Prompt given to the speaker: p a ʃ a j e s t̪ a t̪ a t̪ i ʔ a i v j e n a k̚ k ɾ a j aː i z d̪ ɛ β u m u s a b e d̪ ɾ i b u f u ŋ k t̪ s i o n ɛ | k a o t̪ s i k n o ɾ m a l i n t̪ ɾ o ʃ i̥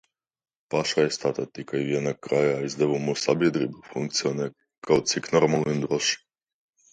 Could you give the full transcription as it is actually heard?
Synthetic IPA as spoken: p a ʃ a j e s t̪ a t̪ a t̪ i k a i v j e n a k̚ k ɾ a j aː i z d̪ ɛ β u m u s a b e d̪ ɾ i b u f u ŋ k t̪ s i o n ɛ | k a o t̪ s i k n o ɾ m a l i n d̪ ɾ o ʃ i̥